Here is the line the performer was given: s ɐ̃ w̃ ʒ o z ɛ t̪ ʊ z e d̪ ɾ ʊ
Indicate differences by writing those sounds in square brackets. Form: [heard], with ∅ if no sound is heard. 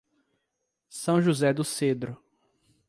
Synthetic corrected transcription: s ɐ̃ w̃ ʒ [u] z ɛ [d̪] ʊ [s] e d̪ ɾ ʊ